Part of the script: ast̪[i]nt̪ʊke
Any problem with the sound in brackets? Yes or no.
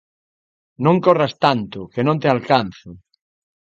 yes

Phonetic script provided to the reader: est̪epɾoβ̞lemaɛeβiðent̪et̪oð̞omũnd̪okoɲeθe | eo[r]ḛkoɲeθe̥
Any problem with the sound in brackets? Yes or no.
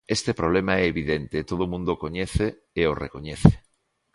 no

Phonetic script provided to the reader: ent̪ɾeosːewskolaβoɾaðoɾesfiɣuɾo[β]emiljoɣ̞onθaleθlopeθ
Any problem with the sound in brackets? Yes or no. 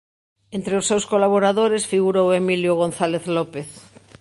yes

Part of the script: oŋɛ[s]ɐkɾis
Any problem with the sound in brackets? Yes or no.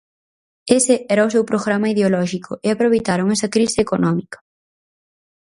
no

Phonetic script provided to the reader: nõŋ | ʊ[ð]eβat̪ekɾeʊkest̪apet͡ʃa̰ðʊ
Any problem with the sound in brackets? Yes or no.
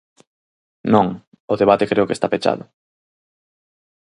no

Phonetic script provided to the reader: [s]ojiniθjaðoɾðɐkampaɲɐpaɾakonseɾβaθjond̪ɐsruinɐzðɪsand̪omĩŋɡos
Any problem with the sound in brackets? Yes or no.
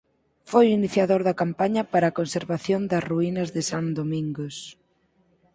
yes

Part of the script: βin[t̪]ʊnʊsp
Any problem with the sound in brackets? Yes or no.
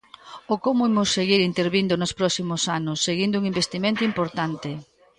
yes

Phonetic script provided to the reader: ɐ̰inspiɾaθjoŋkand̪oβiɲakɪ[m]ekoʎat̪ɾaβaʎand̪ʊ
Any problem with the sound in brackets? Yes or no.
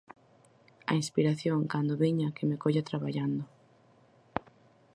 no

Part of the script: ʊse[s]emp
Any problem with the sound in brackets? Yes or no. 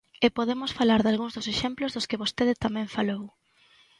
yes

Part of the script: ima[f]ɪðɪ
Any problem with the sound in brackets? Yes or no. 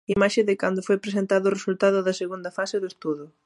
yes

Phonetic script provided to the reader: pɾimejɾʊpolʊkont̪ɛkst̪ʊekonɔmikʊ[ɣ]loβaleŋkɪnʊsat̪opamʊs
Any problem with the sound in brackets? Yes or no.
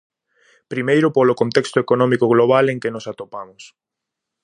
no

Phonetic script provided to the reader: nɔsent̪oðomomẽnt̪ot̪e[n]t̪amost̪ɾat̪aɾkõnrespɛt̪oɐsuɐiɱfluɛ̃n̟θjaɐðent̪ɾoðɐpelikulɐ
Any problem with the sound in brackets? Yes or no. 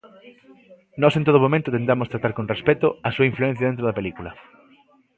no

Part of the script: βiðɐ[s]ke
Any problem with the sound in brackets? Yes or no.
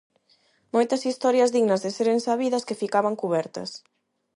no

